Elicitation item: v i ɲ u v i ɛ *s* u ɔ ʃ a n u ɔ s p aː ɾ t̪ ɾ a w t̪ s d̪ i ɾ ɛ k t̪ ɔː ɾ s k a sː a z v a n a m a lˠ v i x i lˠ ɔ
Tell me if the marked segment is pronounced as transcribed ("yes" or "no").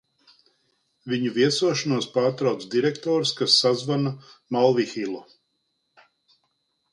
yes